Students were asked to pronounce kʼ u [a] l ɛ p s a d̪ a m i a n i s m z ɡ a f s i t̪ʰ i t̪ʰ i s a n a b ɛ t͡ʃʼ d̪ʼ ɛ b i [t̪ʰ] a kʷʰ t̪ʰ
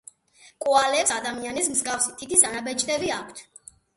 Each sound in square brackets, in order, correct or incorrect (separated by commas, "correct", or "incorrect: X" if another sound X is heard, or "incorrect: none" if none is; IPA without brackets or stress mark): correct, incorrect: none